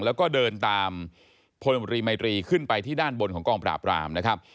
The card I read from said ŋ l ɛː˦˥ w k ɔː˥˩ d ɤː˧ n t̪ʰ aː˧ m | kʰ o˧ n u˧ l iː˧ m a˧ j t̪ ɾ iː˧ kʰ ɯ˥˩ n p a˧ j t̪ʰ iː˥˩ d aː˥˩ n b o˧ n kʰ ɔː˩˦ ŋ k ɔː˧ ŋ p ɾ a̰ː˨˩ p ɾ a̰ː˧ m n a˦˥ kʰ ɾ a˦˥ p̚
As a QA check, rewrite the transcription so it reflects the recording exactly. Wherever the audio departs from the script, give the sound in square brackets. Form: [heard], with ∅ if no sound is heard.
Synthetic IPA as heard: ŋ l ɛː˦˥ w k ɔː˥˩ d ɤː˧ n [t̪] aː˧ m | [pʰ] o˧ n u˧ [ɾ] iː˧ m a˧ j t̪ ɾ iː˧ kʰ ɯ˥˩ n p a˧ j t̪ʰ iː˥˩ d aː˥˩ n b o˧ n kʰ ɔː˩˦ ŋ k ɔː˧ ŋ p ɾ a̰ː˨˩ p ɾ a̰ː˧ m n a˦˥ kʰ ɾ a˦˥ p̚